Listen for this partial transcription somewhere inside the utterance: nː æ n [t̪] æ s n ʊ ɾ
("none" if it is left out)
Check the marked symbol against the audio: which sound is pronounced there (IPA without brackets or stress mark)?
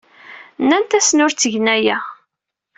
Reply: t̪